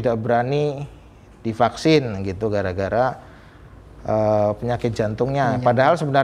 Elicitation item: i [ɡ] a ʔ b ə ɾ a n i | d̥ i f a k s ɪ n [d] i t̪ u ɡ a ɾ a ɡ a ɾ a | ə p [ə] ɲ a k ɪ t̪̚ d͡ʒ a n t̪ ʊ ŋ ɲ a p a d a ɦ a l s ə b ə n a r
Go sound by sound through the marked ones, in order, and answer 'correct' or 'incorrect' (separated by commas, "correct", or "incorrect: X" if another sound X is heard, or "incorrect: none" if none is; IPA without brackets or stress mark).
incorrect: d, incorrect: ɡ, correct